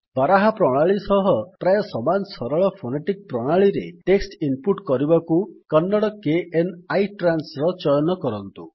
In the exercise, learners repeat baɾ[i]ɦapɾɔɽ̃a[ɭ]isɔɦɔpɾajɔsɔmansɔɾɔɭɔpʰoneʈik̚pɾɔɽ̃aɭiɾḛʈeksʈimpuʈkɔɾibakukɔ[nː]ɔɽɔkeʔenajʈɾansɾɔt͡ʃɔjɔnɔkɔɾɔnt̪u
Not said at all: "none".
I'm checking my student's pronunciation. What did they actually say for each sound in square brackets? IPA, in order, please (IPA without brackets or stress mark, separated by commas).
a, ɭ, nː